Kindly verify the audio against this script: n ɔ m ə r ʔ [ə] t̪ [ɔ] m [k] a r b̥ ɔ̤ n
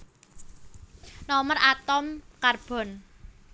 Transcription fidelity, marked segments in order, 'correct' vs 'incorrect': incorrect, correct, correct

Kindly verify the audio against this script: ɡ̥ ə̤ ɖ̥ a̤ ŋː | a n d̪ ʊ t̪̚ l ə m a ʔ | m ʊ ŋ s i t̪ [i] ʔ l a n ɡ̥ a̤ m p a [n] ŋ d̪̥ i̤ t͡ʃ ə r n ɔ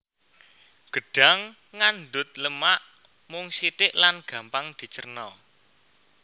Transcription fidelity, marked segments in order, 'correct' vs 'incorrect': incorrect, incorrect

